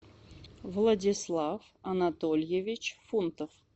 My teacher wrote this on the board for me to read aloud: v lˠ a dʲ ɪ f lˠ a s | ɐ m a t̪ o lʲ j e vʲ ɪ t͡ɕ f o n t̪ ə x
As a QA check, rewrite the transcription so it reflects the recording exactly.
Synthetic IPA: v lˠ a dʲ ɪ s lˠ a f | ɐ n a t̪ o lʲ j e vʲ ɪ t͡ɕ f u n t̪ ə f